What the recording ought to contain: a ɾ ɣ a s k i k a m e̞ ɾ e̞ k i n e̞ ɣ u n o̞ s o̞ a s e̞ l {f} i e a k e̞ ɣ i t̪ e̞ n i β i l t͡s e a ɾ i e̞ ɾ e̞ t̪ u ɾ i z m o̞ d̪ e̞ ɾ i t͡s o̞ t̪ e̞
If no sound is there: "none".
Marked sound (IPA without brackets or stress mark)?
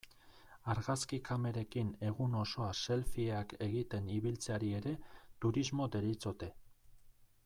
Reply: f